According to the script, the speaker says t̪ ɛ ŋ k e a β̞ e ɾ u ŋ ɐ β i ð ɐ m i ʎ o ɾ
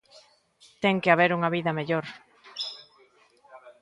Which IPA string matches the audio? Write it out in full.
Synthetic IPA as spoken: t̪ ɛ ŋ k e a β̞ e ɾ u ŋ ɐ β i ð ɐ m e ʎ o ɾ